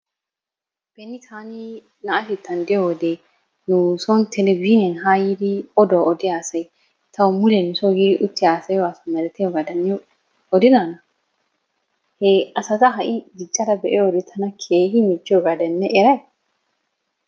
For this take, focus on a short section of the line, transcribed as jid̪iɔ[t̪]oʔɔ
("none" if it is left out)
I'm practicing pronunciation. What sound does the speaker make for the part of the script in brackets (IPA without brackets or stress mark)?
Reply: d̪